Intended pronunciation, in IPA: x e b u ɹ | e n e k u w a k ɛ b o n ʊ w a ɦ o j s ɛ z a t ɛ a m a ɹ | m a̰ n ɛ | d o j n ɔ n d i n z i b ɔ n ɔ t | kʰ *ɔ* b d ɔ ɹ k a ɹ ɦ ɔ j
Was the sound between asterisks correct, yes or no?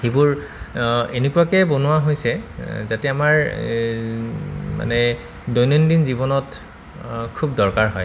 no